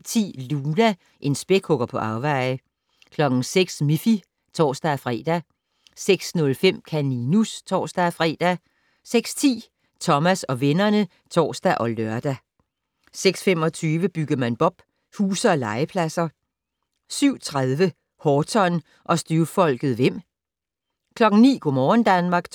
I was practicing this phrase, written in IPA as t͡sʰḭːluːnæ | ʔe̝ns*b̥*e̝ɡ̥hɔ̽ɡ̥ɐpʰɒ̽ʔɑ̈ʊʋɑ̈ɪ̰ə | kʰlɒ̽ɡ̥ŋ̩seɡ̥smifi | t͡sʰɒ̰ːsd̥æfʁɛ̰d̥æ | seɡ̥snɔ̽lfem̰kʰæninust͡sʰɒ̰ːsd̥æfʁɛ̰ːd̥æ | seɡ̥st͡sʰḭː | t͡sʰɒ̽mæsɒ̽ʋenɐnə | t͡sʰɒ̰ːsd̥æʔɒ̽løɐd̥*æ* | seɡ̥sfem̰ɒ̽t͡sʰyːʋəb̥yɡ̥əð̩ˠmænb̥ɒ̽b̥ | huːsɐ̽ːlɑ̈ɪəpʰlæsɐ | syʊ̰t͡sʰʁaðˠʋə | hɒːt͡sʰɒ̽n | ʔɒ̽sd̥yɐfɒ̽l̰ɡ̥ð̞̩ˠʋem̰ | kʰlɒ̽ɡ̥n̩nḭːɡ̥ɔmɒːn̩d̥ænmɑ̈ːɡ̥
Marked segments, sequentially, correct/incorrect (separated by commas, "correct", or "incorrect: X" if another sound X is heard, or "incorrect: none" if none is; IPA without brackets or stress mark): correct, correct